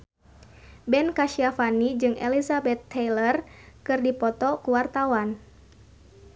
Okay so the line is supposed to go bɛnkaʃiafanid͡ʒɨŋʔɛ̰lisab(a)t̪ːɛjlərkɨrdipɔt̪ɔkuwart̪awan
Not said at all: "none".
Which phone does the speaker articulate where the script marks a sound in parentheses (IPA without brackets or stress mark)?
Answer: ɛ